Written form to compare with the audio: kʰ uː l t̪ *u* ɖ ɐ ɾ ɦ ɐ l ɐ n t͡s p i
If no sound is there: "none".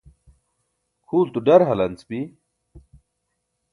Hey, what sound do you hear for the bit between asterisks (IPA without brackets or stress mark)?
u